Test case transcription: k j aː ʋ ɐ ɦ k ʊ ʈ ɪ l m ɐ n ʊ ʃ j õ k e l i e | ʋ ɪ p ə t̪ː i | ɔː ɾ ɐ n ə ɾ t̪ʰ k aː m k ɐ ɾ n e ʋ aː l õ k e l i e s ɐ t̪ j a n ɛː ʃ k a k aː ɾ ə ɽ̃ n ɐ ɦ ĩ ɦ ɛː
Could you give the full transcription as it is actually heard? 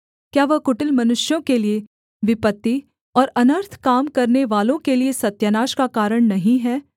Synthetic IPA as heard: k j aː ʋ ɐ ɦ k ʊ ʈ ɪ l m ɐ n ʊ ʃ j õ k e l i e | ʋ ɪ p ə t̪ː i | ɔː ɾ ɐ n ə ɾ t̪ʰ k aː m k ɐ ɾ n e ʋ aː l õ k e l i e s ɐ t̪ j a n aː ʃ k a k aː ɾ ə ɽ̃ n ɐ ɦ ĩ ɦ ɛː